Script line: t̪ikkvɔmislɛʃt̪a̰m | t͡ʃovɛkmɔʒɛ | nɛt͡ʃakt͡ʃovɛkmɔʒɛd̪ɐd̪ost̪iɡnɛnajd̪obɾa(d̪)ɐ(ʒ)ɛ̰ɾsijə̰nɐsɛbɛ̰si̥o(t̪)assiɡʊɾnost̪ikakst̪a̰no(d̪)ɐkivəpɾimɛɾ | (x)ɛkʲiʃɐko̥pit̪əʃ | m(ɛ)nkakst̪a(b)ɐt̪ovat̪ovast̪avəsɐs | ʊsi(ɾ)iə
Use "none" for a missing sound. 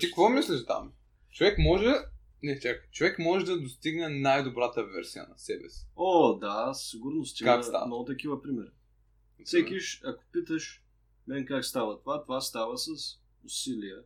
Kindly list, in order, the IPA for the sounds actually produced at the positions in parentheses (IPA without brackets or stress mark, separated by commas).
t̪, v, d̪, t̪, s, ɛ, v, l